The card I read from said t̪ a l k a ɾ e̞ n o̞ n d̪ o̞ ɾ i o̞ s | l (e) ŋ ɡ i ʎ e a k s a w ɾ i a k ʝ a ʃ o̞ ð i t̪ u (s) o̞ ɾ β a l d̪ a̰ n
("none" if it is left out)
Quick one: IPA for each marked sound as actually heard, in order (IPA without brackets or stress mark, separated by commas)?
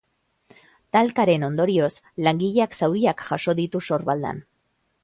a, s